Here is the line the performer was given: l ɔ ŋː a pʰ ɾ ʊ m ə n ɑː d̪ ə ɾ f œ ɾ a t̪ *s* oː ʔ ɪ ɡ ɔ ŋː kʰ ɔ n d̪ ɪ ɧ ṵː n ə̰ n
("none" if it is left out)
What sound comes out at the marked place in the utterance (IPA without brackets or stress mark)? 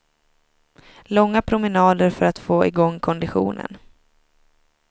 f